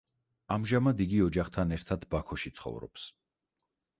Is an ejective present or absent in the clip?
absent